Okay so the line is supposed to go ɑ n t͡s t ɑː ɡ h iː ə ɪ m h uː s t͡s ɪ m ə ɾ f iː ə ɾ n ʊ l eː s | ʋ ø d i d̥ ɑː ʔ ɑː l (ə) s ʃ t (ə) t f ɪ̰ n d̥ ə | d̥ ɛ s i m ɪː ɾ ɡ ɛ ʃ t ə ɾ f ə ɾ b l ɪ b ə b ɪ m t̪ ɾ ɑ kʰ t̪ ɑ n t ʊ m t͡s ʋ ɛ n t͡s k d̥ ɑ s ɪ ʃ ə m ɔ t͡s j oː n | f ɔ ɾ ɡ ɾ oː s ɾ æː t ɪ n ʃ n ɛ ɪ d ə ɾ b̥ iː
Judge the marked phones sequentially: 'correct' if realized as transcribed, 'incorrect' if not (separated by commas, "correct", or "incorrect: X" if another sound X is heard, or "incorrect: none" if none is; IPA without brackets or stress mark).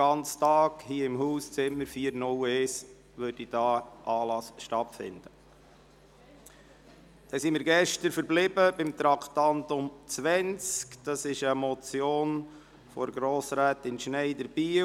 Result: incorrect: ɑ, incorrect: ɑ